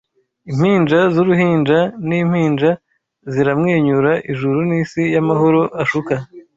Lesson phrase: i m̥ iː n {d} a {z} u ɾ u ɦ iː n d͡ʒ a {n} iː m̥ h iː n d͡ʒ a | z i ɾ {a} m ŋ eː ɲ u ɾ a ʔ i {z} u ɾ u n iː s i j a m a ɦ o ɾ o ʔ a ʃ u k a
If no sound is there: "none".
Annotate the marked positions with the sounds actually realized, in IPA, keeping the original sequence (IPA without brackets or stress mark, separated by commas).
d͡ʒ, z, n, a, ʒ